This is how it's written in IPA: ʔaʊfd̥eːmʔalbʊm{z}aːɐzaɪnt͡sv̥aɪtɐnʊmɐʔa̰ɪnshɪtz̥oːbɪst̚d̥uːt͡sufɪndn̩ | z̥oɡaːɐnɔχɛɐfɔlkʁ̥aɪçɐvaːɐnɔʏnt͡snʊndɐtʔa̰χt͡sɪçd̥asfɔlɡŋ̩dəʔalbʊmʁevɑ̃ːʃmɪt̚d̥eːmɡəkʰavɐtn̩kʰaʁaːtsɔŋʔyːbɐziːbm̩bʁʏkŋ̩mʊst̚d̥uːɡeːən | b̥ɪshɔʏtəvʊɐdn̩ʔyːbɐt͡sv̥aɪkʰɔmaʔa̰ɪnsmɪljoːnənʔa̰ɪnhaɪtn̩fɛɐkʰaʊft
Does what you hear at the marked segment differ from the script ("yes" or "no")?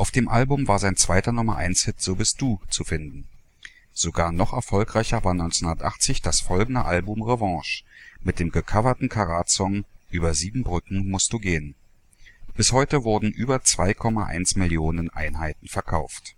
yes